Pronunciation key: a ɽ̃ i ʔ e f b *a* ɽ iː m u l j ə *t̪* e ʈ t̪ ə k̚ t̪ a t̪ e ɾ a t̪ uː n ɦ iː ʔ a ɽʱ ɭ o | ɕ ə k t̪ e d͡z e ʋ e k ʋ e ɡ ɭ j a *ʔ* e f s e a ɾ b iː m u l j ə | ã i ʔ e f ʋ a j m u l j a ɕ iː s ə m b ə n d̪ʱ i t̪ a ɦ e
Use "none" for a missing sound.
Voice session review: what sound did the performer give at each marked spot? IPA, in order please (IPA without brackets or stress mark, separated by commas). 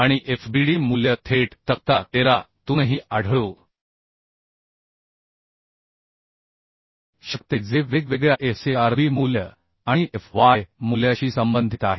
i, t̪ʰ, ʔ